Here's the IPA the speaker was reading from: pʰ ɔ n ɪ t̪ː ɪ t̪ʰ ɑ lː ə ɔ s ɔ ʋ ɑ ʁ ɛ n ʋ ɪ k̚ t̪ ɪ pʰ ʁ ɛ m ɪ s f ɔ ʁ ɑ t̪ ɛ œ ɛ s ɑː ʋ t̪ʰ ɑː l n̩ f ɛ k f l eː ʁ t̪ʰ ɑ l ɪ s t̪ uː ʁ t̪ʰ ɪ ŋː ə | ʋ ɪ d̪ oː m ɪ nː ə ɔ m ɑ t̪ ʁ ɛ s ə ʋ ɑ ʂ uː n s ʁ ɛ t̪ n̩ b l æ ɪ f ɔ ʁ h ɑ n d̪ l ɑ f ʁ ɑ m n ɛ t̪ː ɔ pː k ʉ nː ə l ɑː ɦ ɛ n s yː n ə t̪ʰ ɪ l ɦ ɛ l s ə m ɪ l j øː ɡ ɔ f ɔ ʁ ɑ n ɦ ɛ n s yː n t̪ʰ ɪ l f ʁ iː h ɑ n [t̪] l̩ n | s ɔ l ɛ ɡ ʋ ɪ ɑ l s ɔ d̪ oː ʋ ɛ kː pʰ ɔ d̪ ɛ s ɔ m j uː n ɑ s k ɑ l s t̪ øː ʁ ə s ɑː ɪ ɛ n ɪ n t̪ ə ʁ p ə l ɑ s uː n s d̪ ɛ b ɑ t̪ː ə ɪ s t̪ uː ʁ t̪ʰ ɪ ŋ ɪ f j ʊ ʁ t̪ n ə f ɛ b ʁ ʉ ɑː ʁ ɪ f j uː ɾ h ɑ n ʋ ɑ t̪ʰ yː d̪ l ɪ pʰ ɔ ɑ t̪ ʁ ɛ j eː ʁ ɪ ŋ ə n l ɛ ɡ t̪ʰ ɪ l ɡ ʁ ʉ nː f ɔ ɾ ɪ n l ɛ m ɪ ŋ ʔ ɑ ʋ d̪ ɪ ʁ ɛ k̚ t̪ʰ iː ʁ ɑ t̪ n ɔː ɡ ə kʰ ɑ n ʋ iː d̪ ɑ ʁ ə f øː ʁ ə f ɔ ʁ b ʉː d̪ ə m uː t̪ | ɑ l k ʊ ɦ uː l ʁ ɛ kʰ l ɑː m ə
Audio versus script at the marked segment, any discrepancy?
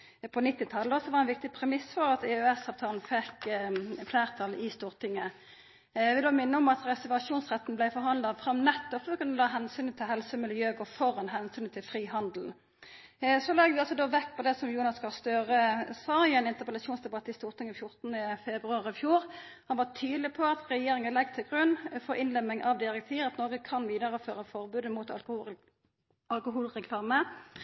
yes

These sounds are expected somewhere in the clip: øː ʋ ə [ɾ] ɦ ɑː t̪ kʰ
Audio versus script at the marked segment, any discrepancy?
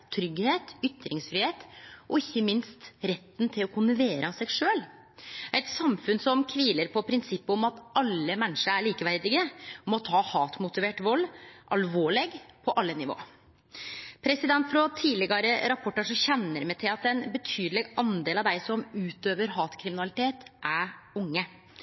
no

